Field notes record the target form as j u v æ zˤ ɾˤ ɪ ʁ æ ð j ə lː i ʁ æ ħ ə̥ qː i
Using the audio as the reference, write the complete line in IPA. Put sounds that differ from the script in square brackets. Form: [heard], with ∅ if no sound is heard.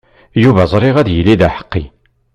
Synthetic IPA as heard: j u v æ zˤ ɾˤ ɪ ʁ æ ð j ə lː i [ð] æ ħ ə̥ qː i